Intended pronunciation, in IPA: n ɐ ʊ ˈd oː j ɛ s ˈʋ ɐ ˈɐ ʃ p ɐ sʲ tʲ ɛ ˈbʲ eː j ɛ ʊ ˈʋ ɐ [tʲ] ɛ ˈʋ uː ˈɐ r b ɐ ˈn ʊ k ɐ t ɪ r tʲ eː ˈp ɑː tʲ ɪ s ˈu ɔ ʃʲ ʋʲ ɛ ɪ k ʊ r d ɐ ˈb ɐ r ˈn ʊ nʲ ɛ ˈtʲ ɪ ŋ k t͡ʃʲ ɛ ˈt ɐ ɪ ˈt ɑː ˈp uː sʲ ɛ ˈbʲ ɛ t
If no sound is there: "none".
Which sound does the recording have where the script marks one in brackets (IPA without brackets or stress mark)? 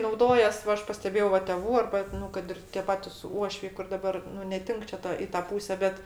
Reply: tʲ